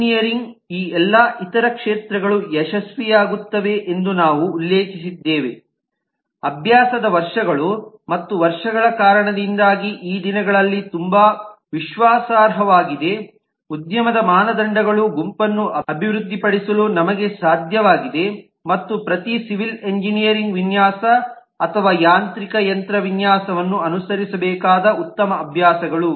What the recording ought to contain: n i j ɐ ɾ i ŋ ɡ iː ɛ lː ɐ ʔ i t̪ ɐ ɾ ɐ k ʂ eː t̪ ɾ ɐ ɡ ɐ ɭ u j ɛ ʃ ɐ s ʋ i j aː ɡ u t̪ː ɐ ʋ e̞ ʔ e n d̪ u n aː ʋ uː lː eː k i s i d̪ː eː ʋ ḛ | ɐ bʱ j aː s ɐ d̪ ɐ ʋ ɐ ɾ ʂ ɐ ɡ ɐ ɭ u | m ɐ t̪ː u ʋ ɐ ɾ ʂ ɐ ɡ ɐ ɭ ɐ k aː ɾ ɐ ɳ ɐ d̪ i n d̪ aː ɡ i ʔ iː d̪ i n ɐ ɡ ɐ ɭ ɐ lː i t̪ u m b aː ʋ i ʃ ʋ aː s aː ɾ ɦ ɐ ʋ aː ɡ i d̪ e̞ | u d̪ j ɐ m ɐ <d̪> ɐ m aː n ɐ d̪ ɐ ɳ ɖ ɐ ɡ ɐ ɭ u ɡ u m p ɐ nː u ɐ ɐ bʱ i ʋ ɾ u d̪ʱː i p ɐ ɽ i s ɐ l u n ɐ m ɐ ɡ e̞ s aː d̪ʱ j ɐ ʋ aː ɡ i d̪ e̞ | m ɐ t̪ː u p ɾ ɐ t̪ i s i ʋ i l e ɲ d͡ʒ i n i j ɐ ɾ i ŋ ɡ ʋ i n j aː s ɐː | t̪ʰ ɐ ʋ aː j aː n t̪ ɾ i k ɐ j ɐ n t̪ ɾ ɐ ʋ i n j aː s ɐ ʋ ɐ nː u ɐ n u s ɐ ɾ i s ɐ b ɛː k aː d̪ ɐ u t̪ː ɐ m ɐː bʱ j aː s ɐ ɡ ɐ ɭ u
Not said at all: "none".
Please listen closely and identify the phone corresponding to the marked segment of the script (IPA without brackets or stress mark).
d̪